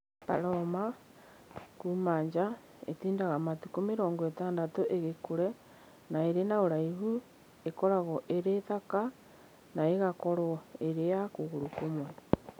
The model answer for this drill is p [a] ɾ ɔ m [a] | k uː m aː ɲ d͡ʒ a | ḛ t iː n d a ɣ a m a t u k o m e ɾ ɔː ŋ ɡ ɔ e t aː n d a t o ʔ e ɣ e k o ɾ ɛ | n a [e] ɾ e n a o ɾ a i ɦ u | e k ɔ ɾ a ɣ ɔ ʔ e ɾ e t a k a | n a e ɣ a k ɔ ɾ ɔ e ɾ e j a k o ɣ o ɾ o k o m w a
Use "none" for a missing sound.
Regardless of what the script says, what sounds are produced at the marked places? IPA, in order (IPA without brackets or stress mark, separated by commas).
a, a, e